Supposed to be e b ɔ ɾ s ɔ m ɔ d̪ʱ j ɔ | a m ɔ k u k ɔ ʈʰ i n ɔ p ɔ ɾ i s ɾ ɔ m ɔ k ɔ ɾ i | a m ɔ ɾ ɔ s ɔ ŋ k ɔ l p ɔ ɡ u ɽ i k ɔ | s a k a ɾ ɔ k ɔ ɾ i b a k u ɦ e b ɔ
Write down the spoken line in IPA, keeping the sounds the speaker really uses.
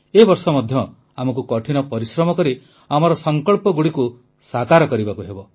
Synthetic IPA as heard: e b ɔ ɾ s ɔ m ɔ d̪ʱ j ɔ | a m ɔ k u k ɔ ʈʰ i n ɔ p ɔ ɾ i s ɾ ɔ m ɔ k ɔ ɾ i | a m ɔ ɾ ɔ s ɔ ŋ k ɔ ɭ p ɔ ɡ u ɽ i k u | s a k a ɾ ɔ k ɔ ɾ i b a k u ɦ e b ɔ